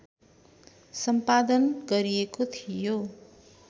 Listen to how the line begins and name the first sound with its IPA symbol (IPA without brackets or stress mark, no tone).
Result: s